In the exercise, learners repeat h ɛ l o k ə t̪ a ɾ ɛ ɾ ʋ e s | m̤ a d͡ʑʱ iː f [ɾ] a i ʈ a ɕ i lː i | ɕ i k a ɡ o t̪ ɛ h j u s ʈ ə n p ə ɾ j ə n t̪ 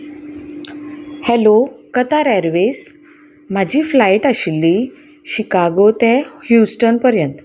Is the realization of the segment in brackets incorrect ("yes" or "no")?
yes